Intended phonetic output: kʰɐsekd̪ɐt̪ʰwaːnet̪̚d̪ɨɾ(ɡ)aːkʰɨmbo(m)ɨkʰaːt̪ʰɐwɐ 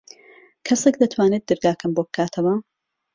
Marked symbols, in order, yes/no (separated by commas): yes, no